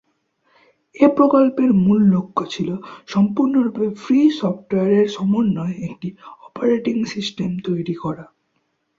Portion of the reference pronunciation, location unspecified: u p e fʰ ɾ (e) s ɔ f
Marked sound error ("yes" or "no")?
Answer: yes